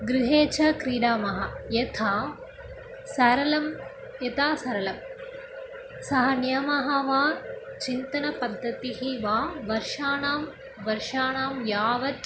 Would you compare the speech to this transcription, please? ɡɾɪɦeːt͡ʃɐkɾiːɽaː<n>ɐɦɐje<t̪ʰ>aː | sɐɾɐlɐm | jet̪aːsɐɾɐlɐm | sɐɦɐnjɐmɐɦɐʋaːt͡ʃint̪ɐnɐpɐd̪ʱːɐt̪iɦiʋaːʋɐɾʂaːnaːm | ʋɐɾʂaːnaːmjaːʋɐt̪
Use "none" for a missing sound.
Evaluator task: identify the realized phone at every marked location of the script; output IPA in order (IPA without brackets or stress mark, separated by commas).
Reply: m, t̪ʰ